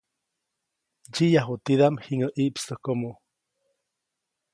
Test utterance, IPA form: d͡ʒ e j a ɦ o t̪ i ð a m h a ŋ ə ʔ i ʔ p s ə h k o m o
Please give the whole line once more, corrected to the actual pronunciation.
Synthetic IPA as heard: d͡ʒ i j a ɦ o t̪ i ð a m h i ŋ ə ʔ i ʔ p s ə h k o m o